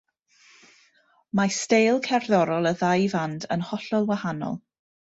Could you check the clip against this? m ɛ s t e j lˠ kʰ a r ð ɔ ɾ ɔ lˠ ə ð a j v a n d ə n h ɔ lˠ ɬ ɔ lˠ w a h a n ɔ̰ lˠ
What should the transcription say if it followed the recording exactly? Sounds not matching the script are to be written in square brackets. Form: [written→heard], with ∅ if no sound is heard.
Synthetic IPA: m [ɛ→a] s t e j lˠ kʰ [a→ɛ] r ð ɔ ɾ ɔ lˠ ə ð a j v a n d ə n h ɔ [lˠ→∅] ɬ ɔ lˠ w a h a n ɔ̰ lˠ